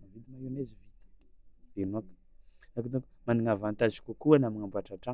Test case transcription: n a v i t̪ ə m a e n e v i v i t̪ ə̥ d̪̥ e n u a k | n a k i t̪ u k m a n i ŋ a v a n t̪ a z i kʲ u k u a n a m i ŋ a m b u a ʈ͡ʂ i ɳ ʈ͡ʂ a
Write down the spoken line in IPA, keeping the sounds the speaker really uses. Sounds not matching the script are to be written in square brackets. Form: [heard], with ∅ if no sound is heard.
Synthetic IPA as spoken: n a v i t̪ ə m a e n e [z] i v i t̪ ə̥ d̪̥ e n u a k | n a k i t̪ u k m a n i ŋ a v a n t̪ a z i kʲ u k u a n a m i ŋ a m b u a ʈ͡ʂ [a] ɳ ʈ͡ʂ a